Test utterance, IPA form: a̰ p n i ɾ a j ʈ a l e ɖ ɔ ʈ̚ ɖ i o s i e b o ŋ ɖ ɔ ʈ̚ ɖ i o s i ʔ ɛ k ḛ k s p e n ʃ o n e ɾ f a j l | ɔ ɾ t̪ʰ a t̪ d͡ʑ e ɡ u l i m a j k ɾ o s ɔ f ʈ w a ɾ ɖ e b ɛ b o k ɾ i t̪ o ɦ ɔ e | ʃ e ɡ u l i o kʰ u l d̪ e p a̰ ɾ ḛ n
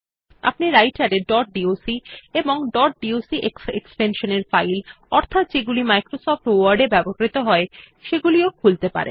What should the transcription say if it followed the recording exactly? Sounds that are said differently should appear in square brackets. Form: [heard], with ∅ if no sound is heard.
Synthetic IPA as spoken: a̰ p n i ɾ a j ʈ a [ɾ] e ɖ ɔ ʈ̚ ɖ i o s i e b o ŋ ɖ ɔ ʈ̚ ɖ i o s i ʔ [e] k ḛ k s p e n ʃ o n e ɾ f a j l | ɔ ɾ t̪ʰ a t̪ d͡ʑ e ɡ u l i m a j k ɾ o s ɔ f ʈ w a ɾ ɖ e b ɛ b o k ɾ i t̪ o ɦ ɔ e | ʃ e ɡ u l i o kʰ u l [t̪] e p a̰ ɾ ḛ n